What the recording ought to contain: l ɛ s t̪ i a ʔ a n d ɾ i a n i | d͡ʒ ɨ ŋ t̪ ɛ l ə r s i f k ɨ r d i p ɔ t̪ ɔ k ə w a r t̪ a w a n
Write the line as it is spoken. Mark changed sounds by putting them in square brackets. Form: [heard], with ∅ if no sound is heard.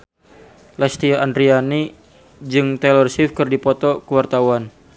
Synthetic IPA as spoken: l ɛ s t̪ i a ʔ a n d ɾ i a n i | d͡ʒ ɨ ŋ t̪ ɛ l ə r s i f k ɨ r d i p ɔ t̪ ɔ k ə w a r t̪ a w a n